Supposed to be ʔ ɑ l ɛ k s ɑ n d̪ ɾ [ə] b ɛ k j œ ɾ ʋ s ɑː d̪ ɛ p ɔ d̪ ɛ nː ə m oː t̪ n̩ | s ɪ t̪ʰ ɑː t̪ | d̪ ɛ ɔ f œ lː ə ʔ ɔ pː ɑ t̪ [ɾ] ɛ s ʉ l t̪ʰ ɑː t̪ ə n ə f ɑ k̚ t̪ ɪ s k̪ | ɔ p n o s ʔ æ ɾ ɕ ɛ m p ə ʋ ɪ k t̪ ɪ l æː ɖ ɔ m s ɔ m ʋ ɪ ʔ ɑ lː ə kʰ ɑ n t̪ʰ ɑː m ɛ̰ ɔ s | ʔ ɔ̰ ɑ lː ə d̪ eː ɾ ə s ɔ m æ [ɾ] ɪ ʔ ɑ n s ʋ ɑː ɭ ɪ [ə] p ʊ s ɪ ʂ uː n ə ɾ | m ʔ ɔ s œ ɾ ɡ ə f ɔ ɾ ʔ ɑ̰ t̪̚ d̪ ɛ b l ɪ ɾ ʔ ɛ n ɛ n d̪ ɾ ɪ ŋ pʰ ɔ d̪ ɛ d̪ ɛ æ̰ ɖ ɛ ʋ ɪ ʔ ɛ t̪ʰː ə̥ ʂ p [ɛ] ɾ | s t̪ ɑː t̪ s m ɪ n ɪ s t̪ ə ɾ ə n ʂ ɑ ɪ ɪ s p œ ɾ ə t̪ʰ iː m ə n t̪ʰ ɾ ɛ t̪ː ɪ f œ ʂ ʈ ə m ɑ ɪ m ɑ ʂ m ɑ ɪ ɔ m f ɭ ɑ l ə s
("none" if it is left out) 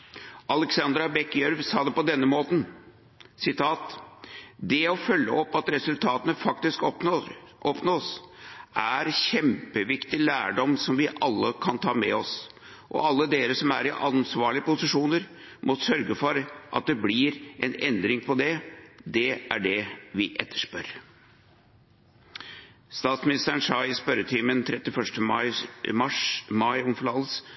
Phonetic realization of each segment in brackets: ɑ, ɾ, ɾ, ə, œ

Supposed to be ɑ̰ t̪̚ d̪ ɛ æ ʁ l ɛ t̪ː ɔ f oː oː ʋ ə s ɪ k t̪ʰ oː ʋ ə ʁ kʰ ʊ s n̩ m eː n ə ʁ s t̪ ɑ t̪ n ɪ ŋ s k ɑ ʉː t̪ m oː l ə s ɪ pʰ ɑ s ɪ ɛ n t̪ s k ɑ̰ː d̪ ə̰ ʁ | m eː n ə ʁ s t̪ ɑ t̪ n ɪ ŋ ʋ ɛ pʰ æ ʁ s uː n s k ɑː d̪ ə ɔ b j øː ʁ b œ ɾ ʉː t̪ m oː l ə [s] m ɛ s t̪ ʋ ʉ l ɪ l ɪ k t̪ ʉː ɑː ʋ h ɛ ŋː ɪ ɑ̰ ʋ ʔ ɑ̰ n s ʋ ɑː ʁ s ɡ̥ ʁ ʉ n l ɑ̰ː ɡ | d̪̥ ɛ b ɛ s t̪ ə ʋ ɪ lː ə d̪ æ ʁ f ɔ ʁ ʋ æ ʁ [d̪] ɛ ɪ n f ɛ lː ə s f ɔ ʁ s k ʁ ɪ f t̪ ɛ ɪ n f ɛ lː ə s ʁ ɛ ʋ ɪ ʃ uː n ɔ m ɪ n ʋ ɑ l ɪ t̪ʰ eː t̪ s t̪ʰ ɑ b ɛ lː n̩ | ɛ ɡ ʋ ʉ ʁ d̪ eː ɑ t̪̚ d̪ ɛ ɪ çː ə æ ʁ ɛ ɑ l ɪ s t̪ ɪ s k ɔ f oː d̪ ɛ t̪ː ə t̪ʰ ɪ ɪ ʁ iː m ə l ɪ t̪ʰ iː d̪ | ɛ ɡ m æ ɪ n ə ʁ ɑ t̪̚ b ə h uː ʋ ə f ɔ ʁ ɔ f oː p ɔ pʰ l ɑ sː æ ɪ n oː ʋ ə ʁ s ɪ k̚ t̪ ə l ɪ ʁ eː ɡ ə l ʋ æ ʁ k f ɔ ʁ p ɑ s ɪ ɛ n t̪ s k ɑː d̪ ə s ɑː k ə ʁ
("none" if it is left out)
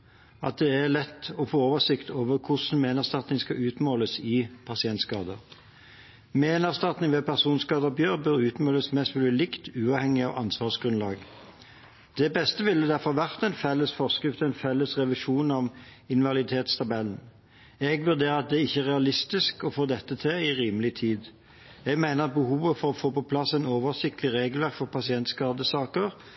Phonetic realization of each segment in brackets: s, t̪

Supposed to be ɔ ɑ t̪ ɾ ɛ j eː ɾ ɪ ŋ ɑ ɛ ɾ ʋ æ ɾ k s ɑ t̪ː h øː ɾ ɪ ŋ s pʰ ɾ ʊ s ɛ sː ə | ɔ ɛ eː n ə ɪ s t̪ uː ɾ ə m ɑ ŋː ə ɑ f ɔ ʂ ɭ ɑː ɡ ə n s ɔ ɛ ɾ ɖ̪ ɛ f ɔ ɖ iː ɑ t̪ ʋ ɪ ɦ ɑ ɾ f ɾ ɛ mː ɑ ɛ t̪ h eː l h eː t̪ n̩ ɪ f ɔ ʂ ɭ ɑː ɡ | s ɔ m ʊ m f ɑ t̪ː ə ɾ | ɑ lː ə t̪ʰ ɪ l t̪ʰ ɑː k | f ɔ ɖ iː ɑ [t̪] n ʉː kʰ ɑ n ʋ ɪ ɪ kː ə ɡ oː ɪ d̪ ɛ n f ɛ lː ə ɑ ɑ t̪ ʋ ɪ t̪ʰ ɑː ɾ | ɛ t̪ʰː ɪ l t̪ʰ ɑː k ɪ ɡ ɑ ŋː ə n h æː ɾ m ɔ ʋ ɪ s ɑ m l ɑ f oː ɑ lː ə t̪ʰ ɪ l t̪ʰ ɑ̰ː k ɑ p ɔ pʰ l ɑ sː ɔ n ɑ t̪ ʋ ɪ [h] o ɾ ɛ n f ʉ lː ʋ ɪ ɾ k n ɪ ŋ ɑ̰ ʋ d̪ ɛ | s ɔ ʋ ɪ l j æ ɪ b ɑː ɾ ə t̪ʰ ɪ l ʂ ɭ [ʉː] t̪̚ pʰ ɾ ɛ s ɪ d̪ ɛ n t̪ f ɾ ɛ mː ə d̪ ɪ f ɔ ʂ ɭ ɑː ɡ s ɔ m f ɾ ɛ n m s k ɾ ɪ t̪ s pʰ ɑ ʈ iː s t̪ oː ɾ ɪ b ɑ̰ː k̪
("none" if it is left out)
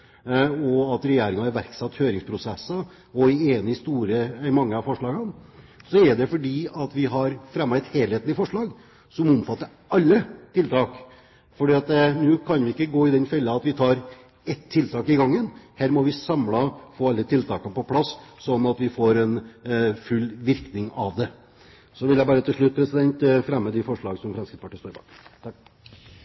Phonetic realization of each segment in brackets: t̪, f, ʉ

